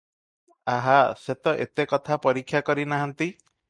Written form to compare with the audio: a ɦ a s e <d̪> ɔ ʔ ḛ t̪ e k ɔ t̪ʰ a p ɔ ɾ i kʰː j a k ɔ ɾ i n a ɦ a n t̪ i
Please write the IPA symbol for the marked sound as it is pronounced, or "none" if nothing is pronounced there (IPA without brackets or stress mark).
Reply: t̪